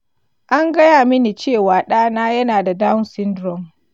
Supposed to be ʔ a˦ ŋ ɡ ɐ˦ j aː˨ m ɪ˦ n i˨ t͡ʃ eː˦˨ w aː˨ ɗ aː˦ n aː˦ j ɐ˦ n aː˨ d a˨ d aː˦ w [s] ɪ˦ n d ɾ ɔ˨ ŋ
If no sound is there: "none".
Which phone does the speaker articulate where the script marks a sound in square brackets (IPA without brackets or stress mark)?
s